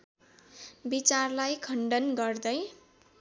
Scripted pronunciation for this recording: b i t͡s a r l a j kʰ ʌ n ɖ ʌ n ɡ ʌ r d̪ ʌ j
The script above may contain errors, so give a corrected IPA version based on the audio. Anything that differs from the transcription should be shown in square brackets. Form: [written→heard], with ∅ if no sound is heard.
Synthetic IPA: b i t͡s a r l a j kʰ ʌ [n→ɳ] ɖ ʌ n ɡ ʌ r d̪ ʌ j